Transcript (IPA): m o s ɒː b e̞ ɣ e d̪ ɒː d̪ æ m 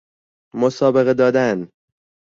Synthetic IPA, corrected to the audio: m o s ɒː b e̞ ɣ e d̪ ɒː d̪ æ n